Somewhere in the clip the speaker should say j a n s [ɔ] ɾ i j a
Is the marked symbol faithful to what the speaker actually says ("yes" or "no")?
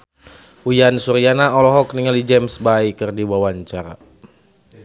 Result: no